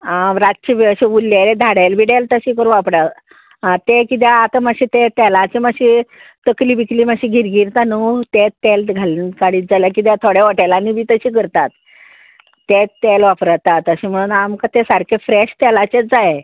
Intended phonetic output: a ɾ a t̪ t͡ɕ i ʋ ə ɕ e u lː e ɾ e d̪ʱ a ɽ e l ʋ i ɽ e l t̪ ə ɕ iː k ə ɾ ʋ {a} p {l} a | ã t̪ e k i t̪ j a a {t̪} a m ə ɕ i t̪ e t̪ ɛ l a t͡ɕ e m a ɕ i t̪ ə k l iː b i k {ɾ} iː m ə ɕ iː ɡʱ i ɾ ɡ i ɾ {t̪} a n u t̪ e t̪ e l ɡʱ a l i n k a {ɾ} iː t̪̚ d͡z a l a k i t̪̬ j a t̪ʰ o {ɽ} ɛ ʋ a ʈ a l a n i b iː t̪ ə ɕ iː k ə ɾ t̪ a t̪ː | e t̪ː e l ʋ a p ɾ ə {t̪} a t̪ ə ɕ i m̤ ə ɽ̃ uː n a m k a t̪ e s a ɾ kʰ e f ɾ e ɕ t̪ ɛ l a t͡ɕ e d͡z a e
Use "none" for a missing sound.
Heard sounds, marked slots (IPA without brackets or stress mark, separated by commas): a, ɽ, t̪, l, t̪, ɽ, ɽ, t̪